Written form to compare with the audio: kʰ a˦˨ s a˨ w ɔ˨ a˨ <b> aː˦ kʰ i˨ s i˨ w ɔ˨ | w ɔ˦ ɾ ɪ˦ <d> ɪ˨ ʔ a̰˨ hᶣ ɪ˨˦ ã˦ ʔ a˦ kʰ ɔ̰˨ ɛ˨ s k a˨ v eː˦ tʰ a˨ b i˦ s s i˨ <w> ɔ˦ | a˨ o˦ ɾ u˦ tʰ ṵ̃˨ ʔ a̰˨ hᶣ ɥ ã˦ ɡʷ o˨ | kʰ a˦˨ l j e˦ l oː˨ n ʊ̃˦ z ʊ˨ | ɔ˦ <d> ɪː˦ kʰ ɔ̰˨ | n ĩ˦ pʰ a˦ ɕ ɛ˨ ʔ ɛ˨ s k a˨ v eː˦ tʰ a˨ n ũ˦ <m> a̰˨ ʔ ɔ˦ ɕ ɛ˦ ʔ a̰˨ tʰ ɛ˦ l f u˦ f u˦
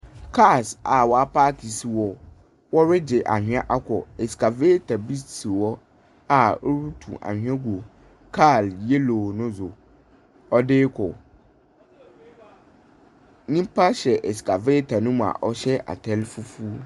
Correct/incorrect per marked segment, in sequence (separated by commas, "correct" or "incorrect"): incorrect, incorrect, correct, correct, correct